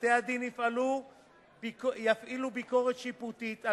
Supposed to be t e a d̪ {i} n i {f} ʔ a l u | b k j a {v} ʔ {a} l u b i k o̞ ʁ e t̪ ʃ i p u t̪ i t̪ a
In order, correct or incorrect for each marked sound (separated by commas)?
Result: correct, correct, incorrect, incorrect